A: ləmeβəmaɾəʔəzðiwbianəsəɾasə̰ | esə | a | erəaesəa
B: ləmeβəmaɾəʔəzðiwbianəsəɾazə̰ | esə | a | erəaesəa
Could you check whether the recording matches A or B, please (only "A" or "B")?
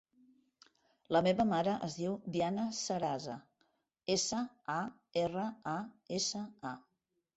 B